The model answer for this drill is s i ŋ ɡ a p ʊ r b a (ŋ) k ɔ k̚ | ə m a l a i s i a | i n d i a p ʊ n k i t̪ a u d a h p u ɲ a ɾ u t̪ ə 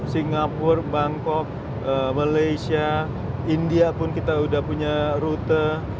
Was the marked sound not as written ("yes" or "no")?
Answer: no